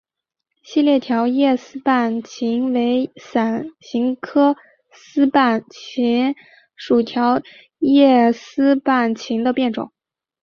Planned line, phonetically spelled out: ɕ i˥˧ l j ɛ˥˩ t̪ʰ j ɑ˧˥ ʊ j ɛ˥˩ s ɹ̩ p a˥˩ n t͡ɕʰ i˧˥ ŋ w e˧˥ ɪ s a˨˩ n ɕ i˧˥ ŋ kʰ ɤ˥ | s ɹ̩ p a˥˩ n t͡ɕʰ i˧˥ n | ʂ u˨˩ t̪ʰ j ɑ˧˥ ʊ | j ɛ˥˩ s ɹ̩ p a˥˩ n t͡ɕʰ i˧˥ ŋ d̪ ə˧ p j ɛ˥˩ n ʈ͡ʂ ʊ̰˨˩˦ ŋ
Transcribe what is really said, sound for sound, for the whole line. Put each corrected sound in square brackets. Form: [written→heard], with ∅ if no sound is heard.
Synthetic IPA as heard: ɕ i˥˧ l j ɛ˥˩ t̪ʰ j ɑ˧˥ ʊ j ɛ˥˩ s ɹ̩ p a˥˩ n t͡ɕʰ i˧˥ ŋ w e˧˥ ɪ s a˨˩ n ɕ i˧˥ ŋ kʰ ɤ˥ | s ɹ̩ p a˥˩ n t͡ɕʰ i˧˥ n | ʂ u˨˩ t̪ʰ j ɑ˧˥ ʊ | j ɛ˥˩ s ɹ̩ p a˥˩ n t͡ɕʰ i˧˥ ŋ d̪ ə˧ p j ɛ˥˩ n ʈ͡ʂ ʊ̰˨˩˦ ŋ